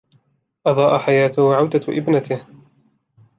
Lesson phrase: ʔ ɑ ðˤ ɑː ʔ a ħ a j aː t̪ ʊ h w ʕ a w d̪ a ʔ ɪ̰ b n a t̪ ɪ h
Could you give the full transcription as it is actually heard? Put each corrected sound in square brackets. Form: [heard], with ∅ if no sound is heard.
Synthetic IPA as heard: ʔ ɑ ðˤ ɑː ʔ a ħ a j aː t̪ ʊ h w ʕ a w d̪ a ʔ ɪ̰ b n a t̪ ɪ h